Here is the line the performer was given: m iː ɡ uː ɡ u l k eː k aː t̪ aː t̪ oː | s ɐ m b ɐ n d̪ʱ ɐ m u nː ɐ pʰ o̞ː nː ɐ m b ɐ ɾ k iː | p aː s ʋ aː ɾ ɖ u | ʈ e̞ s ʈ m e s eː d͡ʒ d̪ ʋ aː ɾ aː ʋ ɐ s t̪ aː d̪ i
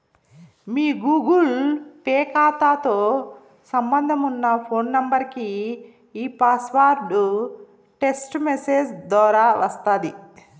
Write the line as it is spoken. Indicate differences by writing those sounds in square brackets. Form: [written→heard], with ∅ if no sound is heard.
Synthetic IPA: m iː ɡ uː ɡ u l [k→p] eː k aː t̪ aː t̪ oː | s ɐ m b ɐ n d̪ʱ ɐ m u nː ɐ pʰ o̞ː nː ɐ m b ɐ ɾ k iː | p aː s ʋ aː ɾ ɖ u | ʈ e̞ s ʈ m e s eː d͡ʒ d̪ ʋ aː ɾ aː ʋ ɐ s t̪ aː d̪ i